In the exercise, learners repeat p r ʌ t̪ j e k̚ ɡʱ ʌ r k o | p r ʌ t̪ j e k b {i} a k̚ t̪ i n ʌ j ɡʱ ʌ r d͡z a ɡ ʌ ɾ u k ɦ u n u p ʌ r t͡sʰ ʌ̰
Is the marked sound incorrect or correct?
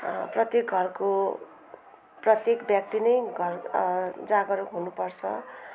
incorrect: j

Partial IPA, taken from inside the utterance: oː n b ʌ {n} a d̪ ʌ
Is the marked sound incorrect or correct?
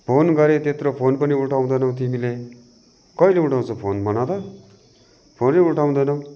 correct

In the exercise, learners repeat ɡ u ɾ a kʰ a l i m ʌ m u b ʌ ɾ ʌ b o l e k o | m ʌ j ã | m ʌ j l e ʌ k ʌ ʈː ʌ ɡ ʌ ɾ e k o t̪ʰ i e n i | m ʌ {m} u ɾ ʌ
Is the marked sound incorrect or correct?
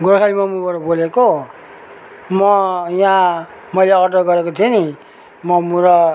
correct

